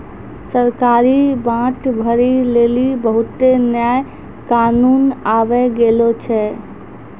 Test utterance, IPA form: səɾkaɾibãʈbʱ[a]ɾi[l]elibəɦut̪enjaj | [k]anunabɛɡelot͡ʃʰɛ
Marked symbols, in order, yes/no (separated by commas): no, yes, yes